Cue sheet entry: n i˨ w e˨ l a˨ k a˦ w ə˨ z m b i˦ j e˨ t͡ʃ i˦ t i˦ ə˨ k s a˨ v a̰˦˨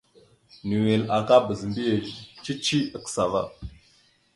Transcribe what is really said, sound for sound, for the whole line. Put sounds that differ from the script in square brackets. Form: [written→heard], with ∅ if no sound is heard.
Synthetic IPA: n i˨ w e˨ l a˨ k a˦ [w→b] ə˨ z m b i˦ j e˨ t͡ʃ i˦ [t→t͡ʃ] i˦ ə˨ k s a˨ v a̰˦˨